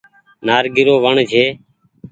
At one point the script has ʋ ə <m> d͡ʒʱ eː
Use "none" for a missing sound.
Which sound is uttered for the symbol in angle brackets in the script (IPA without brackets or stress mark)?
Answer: ɳ